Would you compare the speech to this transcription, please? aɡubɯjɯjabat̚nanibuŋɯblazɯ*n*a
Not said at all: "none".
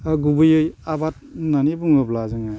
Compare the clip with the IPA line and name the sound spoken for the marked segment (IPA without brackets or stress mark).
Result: ŋ